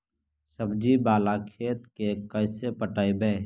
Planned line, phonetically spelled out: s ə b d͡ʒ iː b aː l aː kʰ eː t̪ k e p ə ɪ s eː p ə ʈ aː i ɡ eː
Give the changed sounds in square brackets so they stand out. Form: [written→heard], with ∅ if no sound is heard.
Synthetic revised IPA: s ə b d͡ʒ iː b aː l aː kʰ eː t̪ k e [p→k] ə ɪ s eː p ə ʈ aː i [ɡ→b] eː